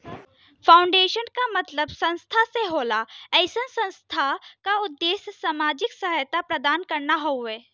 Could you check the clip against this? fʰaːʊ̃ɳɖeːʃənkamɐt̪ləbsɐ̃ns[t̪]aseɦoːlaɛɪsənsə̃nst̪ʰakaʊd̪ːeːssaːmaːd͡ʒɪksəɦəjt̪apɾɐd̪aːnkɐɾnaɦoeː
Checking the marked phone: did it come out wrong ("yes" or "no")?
yes